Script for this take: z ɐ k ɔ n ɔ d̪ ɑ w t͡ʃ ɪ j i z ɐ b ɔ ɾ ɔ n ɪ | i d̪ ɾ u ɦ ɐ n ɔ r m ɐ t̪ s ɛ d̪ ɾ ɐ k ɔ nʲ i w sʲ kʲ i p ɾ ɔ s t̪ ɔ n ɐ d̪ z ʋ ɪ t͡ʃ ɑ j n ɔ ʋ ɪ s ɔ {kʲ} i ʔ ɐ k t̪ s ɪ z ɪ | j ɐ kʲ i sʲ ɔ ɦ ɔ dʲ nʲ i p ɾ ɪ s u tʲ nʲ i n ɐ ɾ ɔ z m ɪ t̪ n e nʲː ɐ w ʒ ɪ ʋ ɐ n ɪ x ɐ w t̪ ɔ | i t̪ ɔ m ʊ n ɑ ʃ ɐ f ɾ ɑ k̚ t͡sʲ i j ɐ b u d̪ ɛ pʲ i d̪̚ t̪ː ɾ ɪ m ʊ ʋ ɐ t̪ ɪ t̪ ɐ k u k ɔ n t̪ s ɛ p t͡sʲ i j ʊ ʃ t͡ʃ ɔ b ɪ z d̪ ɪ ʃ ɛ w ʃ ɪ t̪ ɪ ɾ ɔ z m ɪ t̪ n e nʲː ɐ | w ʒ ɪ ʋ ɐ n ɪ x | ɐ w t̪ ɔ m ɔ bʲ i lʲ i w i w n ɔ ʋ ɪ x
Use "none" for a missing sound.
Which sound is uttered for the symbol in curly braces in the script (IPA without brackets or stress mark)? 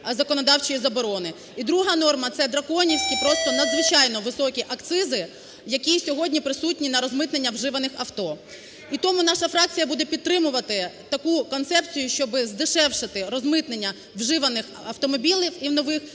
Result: kʲ